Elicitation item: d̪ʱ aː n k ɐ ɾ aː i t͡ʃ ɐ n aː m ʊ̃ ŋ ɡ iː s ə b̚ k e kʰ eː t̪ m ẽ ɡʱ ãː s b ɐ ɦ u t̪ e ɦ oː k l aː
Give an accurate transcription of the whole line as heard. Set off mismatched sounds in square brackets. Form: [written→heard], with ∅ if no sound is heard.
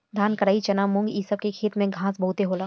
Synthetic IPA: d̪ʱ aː n k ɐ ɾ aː i t͡ʃ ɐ n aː m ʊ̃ ŋ ɡ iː s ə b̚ k e kʰ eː t̪ m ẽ ɡʱ ãː s b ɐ ɦ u t̪ e ɦ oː [k→∅] l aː